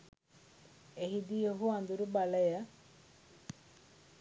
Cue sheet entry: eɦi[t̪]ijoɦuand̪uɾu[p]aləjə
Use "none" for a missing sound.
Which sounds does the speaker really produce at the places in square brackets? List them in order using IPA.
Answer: d̪, b

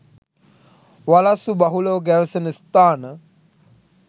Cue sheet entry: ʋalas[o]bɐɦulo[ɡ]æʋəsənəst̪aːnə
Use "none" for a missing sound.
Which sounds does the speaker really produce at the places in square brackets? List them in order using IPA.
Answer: u, ɡ

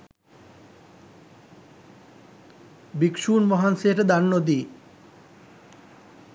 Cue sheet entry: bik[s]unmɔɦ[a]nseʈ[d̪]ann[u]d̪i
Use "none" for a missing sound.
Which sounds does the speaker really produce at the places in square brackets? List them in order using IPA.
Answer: ʃ, a, d̪, o

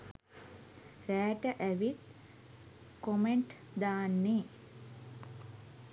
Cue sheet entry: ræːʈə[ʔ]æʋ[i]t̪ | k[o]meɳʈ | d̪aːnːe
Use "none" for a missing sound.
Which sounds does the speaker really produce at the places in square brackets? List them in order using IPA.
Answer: ʔ, i, o

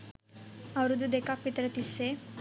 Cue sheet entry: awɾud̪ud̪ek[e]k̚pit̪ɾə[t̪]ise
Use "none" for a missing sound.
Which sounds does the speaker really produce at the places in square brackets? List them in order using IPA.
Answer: a, t̪

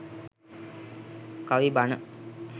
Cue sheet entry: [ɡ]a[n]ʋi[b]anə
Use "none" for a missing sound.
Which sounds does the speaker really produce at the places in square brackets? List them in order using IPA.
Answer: k, none, b

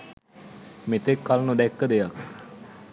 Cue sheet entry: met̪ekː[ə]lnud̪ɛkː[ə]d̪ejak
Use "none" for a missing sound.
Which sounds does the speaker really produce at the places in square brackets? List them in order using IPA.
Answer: a, ə

